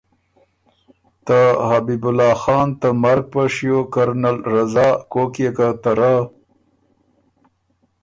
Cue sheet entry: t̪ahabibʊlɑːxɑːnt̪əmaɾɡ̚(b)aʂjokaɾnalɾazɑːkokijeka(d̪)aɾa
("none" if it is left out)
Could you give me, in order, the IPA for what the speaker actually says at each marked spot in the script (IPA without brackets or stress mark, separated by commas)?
p, t̪